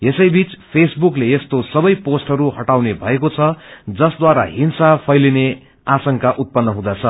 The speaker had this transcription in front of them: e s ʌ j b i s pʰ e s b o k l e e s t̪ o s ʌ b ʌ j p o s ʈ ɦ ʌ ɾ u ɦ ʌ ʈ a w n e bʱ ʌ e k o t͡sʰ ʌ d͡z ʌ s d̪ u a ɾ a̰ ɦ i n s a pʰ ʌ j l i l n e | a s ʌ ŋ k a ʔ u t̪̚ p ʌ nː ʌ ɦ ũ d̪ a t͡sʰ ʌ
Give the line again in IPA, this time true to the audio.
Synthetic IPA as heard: e s ʌ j b i t͡s pʰ e s b u k l e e s t̪ o s ʌ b ʌ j p o s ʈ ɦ ʌ ɾ u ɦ ʌ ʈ a w n e bʱ ʌ e k o t͡sʰ ʌ d͡z ʌ s d̪ w a ɾ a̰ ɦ i n s a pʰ ʌ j l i n e | a s ʌ ŋ k a ʔ u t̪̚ p ʌ nː ʌ ɦ ũ d̪ a t͡sʰ ʌ

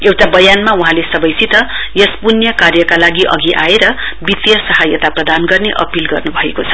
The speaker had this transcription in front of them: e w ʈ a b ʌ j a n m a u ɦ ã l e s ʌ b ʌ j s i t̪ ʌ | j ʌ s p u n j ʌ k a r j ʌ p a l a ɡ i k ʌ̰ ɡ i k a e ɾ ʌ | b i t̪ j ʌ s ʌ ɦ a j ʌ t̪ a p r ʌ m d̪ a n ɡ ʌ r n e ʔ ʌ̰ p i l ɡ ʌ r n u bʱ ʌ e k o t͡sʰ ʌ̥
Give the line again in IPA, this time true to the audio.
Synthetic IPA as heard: e w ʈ a b ʌ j a n m a u ɦ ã l e s ʌ b ʌ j s i t̪ ʌ | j ʌ s p u n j ʌ k a r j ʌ k a l a ɡ i ʔ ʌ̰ ɡ i ʔ a e ɾ ʌ | b i t̪ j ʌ s ʌ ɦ a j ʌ t̪ a p r ʌ d̪ a n ɡ ʌ r n e ʔ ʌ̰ p i l ɡ ʌ r n u bʱ ʌ e k o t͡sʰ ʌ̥

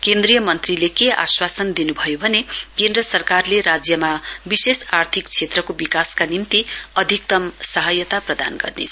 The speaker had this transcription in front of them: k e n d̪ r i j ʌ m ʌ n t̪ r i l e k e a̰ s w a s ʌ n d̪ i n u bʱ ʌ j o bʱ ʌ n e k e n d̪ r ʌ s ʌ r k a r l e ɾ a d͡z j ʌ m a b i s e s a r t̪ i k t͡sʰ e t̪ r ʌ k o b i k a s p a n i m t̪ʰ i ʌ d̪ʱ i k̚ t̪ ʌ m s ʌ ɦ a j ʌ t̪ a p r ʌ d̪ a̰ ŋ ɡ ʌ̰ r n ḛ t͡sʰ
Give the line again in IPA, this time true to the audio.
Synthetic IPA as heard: k e n d̪ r i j ʌ m ʌ n t̪ r i l e k e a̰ s w a s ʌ n d̪ i n u bʱ ʌ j o bʱ ʌ n e k e n d̪ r ʌ s ʌ r k a r l e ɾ a d͡z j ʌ m a b i s e s a r t̪ʰ i k t͡sʰ e t̪ r ʌ k o b i k a s k a n i m t̪ i ʌ d̪ʱ i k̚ t̪ ʌ m s ʌ ɦ ʌ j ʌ t̪ a p r ʌ d̪ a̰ n ɡ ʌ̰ r n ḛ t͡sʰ

